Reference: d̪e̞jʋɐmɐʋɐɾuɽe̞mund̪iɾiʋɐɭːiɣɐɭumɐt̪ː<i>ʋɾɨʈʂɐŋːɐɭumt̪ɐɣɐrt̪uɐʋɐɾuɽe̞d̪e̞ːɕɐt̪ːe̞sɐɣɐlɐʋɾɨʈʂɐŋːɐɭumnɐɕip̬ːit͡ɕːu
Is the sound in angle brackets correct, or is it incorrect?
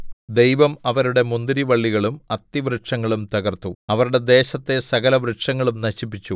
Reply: correct